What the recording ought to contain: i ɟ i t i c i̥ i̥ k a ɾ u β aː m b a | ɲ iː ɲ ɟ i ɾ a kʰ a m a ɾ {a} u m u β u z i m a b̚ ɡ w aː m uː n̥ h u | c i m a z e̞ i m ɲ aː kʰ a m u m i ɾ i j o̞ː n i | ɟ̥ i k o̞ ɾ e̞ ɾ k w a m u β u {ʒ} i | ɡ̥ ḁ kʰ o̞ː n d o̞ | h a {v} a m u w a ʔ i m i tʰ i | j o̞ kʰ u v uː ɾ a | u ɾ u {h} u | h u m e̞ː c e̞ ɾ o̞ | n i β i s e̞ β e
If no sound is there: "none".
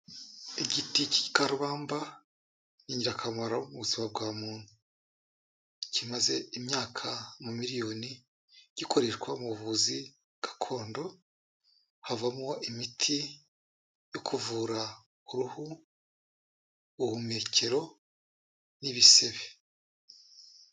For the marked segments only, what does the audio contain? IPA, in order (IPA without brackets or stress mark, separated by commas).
a, z, v, h